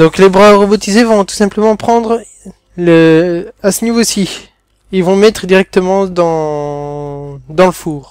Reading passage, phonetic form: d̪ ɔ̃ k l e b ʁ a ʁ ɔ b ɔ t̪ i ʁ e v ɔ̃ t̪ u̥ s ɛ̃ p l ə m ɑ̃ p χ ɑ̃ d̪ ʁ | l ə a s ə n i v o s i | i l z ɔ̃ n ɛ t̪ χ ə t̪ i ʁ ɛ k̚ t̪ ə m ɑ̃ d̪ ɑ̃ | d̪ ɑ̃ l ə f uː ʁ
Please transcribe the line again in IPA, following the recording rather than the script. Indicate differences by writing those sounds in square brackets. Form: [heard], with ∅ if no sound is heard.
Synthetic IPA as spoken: d̪ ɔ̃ k l e b ʁ a ʁ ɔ b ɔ t̪ i [z] e v ɔ̃ t̪ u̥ s ɛ̃ p l ə m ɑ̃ p χ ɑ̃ d̪ ʁ | l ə a s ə n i v o s i | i l [v] ɔ̃ [m] ɛ t̪ χ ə [d̪] i ʁ ɛ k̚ t̪ ə m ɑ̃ d̪ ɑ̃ | d̪ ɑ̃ l ə f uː ʁ